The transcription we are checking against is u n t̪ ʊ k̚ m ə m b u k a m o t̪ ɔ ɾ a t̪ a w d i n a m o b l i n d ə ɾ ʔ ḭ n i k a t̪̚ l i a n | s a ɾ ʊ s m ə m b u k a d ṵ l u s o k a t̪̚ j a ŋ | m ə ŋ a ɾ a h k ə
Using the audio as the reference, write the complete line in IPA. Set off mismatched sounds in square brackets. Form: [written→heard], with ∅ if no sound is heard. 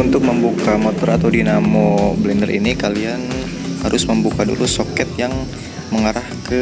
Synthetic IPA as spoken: u n t̪ ʊ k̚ m ə m b u k a m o t̪ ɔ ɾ a t̪ a w d i n a m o b l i n d ə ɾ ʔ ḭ n i k a [t̪̚→∅] l i a n | [s→h] a ɾ ʊ s m ə m b u k a d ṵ l u s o k [a→ɛ] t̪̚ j a ŋ | m ə ŋ a ɾ a h k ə